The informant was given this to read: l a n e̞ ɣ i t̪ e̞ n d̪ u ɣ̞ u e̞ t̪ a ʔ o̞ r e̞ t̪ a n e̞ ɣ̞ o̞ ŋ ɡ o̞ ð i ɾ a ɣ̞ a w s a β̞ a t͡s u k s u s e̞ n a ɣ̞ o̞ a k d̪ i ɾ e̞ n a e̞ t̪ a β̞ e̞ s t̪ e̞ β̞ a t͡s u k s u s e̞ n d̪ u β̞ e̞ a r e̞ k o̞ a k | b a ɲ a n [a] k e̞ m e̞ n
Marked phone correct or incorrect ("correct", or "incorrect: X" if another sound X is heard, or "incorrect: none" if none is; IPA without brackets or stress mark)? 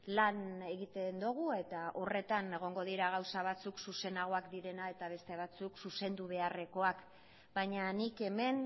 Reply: incorrect: i